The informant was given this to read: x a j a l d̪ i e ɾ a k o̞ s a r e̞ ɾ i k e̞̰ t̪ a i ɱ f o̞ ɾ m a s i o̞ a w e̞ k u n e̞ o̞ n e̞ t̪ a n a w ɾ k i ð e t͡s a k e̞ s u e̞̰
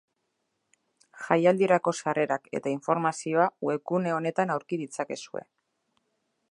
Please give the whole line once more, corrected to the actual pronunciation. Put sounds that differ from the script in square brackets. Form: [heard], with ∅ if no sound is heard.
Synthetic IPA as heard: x a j a l d̪ i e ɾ a k o̞ s a r e̞ ɾ [a] k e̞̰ t̪ a i ɱ f o̞ ɾ m a s i o̞ a w e̞ k u n e̞ o̞ n e̞ t̪ a n a w ɾ k i ð [i] t͡s a k e̞ s u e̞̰